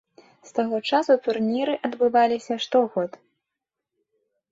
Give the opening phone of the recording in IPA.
s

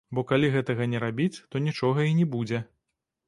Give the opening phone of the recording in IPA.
b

